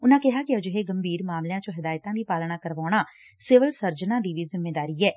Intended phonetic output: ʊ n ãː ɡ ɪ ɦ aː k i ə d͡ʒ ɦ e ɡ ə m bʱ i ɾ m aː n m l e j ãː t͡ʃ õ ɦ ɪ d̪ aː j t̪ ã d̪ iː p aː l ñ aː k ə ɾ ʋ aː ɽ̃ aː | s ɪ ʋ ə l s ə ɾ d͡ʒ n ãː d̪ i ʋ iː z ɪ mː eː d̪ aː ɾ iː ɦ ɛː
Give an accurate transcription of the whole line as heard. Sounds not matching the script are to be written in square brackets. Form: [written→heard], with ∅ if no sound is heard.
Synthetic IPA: ʊ n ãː [ɡ→k] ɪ ɦ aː k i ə d͡ʒ ɦ e ɡ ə m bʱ [i→iː] ɾ m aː [n→∅] m l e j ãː t͡ʃ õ ɦ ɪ d̪ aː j t̪ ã d̪ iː p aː l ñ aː k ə ɾ ʋ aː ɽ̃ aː | s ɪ ʋ ə l s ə ɾ d͡ʒ n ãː d̪ i ʋ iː z ɪ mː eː d̪ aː ɾ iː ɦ ɛː